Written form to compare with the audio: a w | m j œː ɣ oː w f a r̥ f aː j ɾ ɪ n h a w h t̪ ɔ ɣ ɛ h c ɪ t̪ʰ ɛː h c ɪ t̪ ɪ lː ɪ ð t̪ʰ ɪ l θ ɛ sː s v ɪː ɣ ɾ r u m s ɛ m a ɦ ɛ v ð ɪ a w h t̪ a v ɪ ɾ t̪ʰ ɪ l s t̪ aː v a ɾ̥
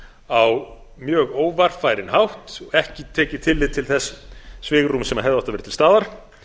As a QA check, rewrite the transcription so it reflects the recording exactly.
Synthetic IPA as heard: a w | m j œː ɣ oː w v a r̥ f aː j ɾ ɪ n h a w h t̪ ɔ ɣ ɛ h c ɪ t̪ʰ ɛː c ɪ t̪ʰ ɪ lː ɪ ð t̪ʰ ɪ l θ ɛ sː s v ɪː ɣ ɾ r u m s ɛ m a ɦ ɛ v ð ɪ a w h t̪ a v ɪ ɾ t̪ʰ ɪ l s t̪ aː ð a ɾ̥